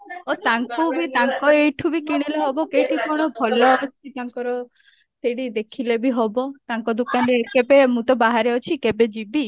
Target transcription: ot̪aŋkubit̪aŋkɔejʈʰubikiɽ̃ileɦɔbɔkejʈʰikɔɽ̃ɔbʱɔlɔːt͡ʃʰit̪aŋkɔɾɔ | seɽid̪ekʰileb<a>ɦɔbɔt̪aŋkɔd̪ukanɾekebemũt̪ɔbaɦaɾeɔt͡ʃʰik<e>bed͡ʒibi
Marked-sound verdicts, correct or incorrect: incorrect: i, correct

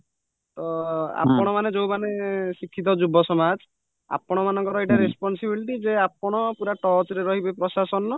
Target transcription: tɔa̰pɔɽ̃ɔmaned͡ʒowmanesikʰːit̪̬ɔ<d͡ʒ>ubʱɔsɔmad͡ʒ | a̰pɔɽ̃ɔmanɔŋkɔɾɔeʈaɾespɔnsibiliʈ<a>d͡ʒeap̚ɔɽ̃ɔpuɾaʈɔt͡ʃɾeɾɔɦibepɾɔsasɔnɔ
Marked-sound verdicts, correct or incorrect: correct, incorrect: i

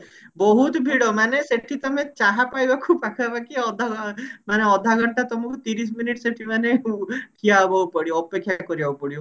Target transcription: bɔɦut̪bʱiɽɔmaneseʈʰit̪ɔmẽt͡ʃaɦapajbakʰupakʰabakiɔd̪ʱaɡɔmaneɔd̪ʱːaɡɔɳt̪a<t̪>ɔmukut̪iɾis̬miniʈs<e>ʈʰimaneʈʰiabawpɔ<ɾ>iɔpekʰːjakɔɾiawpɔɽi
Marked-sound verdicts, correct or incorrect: correct, correct, incorrect: ɽ

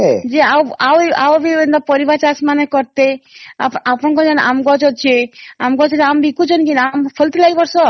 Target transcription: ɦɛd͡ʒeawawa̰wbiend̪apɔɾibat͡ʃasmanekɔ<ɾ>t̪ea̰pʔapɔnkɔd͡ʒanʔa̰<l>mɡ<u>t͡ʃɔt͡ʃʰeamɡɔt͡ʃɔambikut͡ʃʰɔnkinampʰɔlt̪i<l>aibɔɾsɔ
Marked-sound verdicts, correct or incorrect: correct, incorrect: none, incorrect: ɔ, correct

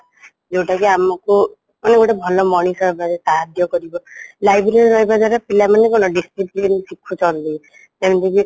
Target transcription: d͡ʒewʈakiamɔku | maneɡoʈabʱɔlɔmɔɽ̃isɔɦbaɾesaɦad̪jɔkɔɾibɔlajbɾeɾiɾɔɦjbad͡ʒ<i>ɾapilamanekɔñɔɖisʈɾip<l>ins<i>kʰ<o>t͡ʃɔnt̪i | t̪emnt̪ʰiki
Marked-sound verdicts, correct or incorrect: incorrect: a, correct, correct, incorrect: u

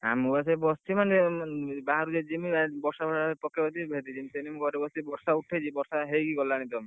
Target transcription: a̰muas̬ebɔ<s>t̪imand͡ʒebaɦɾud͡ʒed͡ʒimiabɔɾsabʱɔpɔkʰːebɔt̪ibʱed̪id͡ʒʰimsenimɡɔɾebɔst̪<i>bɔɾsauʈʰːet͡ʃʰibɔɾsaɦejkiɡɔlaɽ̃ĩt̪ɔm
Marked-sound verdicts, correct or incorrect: correct, correct

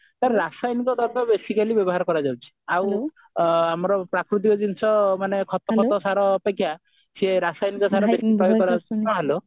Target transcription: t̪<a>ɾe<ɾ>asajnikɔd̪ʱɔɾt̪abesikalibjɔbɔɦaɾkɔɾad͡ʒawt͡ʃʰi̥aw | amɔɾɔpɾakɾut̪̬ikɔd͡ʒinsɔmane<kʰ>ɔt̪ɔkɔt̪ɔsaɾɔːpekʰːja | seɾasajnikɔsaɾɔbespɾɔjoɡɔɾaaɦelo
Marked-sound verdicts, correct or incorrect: correct, correct, correct

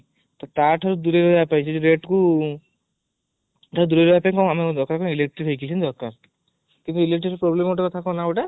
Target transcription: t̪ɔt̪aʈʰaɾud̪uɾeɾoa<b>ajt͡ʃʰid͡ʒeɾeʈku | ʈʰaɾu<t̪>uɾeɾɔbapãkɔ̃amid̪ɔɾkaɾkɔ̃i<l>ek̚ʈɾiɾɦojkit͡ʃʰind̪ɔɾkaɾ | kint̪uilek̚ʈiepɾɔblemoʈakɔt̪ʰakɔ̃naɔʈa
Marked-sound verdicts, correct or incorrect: incorrect: p, incorrect: d̪, correct

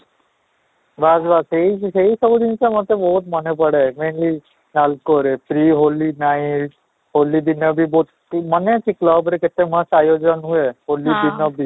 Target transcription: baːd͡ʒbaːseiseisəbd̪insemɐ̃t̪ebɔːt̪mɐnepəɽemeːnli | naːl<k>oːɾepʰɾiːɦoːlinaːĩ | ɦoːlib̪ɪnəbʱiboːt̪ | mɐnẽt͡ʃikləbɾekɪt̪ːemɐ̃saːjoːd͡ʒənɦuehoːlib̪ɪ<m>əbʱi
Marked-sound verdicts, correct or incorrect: correct, incorrect: n

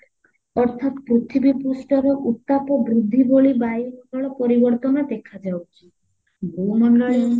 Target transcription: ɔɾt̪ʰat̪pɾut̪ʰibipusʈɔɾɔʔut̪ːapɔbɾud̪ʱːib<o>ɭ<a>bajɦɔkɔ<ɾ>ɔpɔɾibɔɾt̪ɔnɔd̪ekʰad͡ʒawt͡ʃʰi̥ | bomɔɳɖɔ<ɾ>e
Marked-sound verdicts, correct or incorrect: correct, incorrect: i, incorrect: ɭ, incorrect: ɭ

